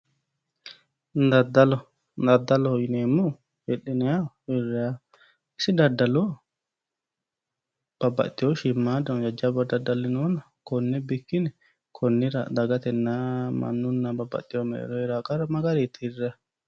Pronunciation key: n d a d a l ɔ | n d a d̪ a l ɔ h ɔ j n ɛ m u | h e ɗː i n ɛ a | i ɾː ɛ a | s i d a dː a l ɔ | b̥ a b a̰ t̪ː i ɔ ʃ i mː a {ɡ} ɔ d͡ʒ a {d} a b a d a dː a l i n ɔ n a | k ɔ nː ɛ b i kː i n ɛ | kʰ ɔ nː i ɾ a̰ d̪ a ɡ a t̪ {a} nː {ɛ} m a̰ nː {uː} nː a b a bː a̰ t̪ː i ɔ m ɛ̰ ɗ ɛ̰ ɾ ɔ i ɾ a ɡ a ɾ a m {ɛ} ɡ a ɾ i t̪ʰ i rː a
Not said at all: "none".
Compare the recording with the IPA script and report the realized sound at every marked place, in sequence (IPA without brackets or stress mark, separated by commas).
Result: d, d͡ʒ, ɛ, a, u, a